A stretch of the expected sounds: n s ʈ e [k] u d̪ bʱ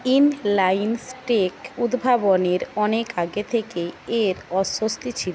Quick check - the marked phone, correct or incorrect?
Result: correct